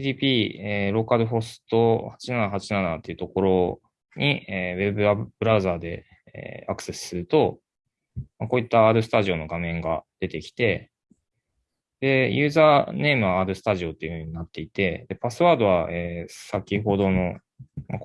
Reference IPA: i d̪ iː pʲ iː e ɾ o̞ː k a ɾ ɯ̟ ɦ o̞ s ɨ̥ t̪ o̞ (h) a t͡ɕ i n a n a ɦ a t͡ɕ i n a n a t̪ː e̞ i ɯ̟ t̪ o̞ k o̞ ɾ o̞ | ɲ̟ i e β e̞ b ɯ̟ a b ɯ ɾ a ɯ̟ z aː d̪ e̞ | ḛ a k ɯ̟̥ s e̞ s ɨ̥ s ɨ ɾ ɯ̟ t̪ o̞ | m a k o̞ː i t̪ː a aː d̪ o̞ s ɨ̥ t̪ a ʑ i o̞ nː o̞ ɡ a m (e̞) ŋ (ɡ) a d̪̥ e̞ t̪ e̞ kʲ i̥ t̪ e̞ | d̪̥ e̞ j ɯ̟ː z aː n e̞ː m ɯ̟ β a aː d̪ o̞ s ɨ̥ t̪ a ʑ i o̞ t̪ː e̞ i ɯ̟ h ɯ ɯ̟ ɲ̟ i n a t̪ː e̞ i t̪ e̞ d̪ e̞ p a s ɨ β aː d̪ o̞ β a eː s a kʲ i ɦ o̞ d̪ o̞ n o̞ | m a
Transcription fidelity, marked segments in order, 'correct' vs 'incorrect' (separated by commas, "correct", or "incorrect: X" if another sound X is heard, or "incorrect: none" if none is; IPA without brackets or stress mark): correct, incorrect: ẽ̞, correct